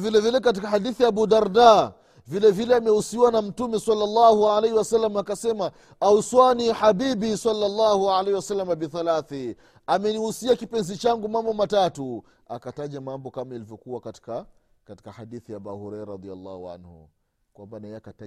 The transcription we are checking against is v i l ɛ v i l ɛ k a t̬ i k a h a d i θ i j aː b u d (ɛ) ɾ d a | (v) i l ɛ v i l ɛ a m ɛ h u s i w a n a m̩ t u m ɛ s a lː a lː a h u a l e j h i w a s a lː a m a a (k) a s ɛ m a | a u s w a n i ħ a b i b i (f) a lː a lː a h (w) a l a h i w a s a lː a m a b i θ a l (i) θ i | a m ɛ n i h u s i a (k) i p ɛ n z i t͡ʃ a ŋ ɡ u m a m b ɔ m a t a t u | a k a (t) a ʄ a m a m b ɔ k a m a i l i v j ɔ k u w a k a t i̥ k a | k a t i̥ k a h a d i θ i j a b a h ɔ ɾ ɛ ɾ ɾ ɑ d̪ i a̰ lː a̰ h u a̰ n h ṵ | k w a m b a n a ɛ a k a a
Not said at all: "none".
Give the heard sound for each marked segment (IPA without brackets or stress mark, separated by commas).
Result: a, v, k, s, u, a, k, t